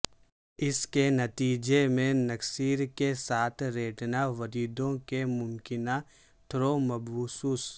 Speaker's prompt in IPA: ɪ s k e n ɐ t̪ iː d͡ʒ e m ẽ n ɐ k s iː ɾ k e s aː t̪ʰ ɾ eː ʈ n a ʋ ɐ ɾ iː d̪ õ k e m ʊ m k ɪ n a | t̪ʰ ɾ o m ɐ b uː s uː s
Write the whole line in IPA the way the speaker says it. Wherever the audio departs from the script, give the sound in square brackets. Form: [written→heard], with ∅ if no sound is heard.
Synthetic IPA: ɪ s k e n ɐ t̪ iː d͡ʒ e m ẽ n ɐ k s iː ɾ k e s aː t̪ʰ ɾ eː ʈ n a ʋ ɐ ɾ iː d̪ õ k e m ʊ m k ɪ n a | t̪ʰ ɾ o m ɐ b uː s uː s